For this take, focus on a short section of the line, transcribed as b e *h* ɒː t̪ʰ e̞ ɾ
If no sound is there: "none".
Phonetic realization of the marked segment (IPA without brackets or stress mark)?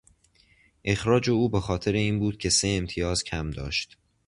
x